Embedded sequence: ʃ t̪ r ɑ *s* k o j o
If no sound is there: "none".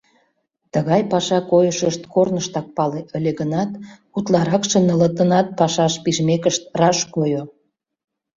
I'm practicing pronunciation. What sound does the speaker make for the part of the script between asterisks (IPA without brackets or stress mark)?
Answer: ʃ